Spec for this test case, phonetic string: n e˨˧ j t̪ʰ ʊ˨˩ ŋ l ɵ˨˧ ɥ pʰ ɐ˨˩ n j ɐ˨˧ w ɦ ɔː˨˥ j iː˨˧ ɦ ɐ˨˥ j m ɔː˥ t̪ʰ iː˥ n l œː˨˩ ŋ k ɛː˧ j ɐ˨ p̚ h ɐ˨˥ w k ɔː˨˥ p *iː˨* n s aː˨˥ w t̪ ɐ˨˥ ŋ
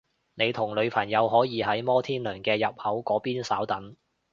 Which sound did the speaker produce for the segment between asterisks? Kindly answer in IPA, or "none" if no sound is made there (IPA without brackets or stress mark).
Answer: iː˥